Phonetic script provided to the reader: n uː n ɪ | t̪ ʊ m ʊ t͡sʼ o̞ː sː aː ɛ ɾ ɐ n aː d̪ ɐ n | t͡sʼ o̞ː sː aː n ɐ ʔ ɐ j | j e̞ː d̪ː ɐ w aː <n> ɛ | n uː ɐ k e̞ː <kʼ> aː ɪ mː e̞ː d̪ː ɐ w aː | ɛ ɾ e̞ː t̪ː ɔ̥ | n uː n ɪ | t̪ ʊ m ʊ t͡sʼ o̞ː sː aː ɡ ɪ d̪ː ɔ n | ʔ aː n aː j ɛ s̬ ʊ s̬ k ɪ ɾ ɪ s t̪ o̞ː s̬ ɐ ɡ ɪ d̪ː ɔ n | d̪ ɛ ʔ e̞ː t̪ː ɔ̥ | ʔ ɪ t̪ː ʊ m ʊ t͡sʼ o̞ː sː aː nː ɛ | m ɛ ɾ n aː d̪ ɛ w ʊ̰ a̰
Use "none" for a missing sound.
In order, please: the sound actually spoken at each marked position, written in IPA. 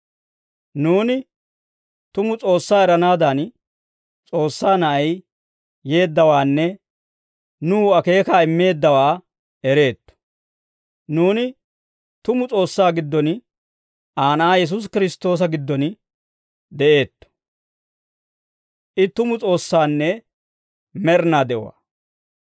nː, k

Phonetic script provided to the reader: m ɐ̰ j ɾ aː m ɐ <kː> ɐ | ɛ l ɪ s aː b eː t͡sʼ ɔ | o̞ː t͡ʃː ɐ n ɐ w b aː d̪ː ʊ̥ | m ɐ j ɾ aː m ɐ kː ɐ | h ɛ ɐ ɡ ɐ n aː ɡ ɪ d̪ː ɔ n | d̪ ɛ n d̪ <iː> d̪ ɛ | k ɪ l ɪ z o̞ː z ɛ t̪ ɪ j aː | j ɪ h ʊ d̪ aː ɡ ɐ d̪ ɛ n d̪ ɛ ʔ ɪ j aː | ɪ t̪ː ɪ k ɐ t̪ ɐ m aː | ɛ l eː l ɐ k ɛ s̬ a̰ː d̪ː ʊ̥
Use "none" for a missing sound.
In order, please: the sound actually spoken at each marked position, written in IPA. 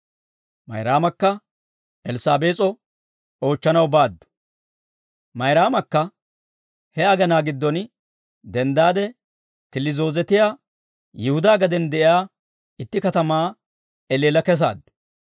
kː, aː

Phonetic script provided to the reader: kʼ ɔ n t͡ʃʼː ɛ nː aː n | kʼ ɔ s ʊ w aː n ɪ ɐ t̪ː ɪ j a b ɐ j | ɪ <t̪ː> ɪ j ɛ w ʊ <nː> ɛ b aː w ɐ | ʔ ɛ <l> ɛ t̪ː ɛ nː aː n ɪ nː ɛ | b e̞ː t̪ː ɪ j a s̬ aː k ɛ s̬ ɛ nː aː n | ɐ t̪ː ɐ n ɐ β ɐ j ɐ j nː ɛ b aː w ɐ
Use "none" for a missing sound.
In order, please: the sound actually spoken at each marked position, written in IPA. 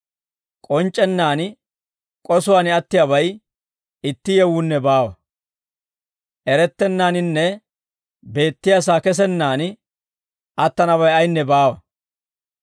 t̪ː, nː, ɾ

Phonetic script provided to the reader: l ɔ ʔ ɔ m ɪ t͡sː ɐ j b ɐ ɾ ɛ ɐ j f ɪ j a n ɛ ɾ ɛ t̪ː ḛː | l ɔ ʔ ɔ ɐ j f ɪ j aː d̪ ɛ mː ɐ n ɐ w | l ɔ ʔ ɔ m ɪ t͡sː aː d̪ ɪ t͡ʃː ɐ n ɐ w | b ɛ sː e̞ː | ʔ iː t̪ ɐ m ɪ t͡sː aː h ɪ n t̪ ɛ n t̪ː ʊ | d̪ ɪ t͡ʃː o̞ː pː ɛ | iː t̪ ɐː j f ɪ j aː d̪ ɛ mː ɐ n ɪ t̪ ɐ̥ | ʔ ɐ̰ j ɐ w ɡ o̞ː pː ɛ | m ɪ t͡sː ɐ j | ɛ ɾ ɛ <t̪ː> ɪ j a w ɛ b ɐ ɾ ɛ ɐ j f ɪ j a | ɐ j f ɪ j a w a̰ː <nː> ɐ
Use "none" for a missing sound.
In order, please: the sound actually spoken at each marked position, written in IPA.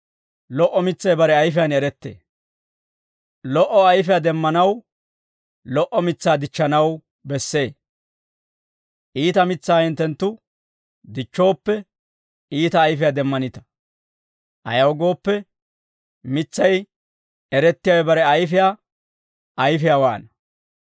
t̪ː, n

